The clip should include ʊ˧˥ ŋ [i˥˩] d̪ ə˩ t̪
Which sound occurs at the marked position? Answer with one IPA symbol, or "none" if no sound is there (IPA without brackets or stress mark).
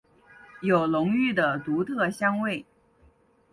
y˥˩